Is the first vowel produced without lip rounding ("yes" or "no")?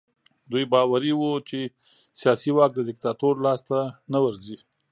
no